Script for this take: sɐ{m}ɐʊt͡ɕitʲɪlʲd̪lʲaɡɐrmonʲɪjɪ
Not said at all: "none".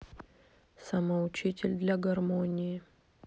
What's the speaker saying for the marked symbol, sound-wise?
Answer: m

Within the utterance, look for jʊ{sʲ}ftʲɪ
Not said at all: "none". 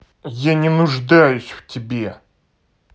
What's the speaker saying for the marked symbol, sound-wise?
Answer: sʲ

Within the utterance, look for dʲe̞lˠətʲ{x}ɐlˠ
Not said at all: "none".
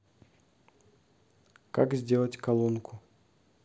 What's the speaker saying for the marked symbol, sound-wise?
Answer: k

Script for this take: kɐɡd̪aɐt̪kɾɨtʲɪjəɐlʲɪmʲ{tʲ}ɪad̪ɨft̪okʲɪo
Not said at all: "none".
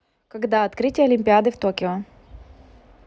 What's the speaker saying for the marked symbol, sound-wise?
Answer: pʲ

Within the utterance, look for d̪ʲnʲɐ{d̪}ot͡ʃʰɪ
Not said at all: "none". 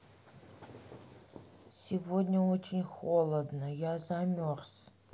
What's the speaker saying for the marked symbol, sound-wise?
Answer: none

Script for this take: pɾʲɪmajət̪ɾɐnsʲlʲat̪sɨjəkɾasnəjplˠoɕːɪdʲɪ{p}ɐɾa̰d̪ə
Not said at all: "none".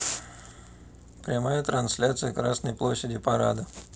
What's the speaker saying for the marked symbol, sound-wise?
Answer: p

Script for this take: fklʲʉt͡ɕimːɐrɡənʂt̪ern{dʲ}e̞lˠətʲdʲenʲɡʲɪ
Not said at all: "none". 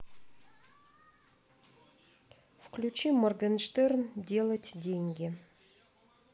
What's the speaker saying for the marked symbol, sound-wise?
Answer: dʲ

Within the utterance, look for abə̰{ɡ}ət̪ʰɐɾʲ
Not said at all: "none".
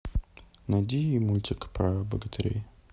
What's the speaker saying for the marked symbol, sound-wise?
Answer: ɡ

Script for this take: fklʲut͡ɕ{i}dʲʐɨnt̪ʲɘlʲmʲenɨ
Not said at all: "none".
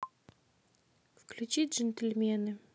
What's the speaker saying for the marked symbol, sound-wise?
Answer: i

